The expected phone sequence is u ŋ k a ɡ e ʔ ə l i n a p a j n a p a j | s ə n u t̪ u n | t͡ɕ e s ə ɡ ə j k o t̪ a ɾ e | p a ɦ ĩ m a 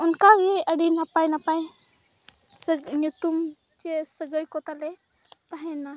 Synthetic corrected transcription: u n k a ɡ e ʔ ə ɽ i n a p a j n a p a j | s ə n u t̪ u m | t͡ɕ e s ə ɡ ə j k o t̪ a l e | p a ɦ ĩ n a